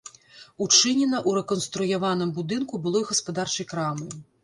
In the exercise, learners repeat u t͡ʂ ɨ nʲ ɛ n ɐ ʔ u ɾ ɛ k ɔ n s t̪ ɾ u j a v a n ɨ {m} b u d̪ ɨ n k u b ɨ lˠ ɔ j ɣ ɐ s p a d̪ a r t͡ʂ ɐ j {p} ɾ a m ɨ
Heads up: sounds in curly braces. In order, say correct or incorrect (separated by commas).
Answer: correct, incorrect